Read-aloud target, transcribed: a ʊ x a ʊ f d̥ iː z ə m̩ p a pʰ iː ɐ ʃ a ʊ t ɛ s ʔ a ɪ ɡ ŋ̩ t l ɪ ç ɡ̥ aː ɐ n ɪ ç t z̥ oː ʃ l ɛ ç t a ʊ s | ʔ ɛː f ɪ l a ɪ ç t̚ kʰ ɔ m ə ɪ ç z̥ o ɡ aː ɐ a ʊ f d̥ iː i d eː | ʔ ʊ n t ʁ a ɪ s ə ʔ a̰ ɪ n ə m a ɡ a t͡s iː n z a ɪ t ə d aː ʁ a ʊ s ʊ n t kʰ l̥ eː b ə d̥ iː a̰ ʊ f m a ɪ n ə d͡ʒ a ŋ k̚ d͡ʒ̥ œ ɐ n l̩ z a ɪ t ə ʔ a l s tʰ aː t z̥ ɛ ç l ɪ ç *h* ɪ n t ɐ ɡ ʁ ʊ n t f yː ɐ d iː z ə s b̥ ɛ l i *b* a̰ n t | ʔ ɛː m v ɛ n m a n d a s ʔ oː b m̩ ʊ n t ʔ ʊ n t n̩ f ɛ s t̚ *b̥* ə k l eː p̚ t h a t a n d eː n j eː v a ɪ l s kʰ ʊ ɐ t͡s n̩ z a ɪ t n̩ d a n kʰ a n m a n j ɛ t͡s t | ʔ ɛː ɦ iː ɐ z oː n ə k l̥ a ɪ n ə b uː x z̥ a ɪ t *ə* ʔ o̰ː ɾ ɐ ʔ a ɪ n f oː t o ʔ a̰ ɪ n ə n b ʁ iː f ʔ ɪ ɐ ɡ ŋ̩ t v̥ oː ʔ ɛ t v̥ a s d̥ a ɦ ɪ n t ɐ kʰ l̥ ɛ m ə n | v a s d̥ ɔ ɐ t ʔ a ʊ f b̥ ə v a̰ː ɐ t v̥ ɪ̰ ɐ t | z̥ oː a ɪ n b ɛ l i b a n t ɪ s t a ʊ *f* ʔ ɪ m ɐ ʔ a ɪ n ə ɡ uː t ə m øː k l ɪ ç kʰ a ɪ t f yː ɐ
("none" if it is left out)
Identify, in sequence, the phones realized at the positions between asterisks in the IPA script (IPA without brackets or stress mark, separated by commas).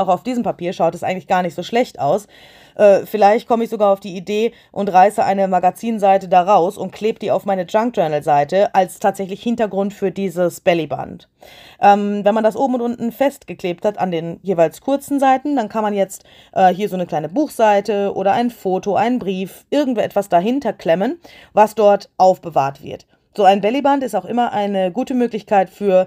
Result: h, b, ɡ̥, ə, x